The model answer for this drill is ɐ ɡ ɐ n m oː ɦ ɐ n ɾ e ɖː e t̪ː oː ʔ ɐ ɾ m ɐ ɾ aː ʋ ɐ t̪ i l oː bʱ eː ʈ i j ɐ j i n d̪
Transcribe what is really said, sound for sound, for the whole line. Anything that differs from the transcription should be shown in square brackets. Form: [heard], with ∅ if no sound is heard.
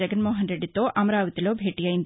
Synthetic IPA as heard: ɐ ɡ ɐ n m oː ɦ ɐ n ɾ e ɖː [i] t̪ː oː ʔ ɐ [∅] m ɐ ɾ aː ʋ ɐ t̪ i l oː bʱ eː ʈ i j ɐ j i n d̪